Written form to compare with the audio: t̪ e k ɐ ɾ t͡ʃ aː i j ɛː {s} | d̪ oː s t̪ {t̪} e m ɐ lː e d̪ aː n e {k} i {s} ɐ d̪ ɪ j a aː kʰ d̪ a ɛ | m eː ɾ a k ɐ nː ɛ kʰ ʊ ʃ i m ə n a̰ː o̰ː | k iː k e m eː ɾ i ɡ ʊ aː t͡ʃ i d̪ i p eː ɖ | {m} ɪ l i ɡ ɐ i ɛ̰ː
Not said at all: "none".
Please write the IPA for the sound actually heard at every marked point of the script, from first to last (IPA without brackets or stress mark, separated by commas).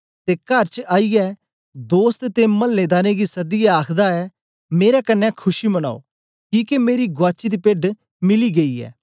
none, t̪, ɡ, s, m